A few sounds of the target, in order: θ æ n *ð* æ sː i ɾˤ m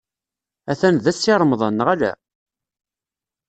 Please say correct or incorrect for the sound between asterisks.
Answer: correct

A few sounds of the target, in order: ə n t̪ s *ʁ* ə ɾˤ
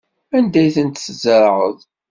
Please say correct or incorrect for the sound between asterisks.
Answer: incorrect: z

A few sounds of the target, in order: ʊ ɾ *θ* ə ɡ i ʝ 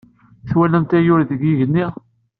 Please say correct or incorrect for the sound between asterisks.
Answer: incorrect: ð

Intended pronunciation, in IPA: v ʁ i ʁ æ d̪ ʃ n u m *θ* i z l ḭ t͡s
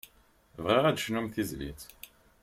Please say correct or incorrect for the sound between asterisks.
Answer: correct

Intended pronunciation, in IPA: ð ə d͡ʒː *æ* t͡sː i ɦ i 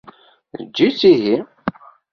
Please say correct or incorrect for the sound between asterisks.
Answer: incorrect: i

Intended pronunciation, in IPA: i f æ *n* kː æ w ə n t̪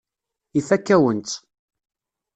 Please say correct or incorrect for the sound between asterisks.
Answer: incorrect: none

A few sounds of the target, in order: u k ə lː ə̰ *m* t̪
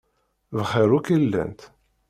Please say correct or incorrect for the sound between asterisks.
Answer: incorrect: n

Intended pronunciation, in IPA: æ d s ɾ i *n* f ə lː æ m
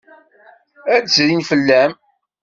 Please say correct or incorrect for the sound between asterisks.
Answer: correct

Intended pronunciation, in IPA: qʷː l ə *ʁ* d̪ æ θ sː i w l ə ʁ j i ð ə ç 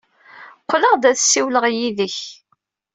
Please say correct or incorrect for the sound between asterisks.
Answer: correct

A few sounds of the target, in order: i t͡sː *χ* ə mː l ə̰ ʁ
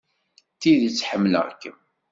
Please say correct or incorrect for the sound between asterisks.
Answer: incorrect: ħ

